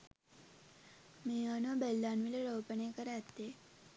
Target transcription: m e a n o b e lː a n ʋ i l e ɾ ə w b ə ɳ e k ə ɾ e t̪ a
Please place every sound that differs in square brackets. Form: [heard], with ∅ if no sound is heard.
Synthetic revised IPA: m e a n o b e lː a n ʋ i l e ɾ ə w [p] ə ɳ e k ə ɾ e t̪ [e]